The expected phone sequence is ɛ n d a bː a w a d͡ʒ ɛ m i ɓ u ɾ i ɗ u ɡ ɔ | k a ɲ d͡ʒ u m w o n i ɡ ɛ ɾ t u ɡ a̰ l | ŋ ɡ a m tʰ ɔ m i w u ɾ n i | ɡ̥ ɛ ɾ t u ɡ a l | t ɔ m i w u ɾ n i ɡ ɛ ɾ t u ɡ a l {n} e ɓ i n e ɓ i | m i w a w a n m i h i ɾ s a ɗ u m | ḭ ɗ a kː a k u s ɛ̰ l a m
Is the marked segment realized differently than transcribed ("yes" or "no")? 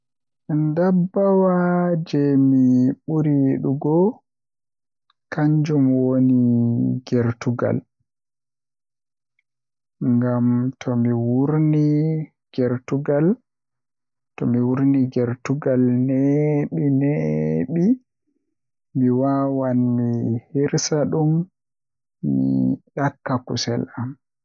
no